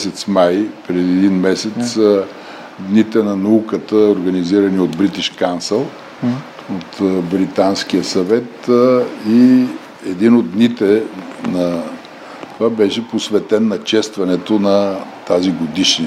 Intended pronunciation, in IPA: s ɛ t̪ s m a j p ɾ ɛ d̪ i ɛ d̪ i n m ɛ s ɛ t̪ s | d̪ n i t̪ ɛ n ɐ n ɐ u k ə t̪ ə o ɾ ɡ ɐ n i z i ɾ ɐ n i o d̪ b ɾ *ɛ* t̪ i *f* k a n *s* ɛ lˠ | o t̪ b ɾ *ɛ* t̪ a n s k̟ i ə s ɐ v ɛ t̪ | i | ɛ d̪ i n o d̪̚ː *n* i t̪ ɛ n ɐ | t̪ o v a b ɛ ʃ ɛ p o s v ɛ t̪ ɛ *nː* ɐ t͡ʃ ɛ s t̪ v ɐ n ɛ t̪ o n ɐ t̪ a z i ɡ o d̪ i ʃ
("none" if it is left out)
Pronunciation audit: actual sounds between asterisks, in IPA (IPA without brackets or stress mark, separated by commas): i, ʃ, s, i, n, nː